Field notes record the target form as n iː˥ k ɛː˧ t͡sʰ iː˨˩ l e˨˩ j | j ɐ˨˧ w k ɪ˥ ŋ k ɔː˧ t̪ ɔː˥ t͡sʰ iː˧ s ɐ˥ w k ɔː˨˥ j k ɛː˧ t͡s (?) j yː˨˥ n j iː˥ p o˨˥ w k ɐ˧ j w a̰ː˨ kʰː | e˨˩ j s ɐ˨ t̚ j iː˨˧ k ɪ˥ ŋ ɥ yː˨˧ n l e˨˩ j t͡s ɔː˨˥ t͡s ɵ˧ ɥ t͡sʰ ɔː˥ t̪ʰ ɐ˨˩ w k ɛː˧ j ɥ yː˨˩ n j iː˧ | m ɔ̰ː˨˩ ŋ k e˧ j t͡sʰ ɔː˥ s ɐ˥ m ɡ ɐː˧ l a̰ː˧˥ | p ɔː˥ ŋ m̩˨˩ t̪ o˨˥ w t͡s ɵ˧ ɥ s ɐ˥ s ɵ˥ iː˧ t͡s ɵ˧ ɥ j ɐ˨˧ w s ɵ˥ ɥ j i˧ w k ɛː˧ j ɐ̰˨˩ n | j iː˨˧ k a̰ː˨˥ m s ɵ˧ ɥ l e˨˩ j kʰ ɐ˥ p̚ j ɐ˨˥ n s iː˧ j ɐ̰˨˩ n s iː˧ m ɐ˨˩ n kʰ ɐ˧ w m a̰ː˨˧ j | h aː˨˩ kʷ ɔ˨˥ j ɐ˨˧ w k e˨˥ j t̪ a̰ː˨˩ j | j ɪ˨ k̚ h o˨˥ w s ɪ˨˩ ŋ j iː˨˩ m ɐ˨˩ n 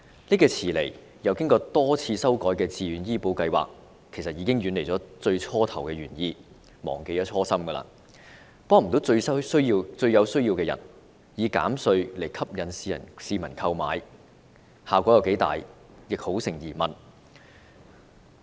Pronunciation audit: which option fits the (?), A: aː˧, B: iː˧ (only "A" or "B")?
B